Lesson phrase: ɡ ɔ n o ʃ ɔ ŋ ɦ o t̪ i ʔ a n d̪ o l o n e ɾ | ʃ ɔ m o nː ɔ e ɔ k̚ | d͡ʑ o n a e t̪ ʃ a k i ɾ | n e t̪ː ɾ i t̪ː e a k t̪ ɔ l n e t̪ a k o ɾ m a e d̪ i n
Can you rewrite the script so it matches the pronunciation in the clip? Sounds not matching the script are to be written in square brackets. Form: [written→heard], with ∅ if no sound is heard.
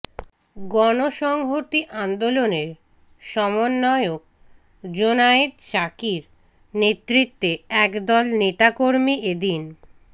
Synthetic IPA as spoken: ɡ ɔ n o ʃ ɔ ŋ ɦ o t̪ i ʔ a n d̪ o l o n e ɾ | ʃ ɔ m o nː ɔ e [ɔ→o] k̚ | d͡ʑ o n a e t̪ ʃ a k i ɾ | n e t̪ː ɾ i t̪ː e [a→ɛ] k [t̪→d̪] ɔ l n e t̪ a k o ɾ m [a→i] e d̪ i n